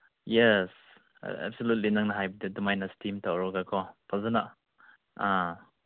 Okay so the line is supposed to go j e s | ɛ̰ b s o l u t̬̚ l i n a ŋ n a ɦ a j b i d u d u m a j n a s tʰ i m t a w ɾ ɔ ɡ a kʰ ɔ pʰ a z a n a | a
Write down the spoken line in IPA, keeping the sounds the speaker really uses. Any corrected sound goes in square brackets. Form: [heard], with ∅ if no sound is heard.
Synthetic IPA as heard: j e s | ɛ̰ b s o l u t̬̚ l i n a ŋ n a ɦ a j b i d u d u m a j n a s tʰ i m t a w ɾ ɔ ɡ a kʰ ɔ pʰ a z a n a | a